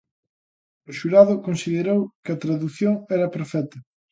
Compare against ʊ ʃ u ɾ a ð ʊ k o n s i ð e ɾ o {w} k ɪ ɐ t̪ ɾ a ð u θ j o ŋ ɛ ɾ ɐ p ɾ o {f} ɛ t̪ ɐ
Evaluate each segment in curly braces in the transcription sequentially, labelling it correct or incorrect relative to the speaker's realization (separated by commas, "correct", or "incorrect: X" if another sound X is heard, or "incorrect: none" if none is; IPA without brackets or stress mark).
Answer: correct, correct